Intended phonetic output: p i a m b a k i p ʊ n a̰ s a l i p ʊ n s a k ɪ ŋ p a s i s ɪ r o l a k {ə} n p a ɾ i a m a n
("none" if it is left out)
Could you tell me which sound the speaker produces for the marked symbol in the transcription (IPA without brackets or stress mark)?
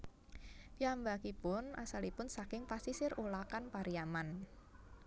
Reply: a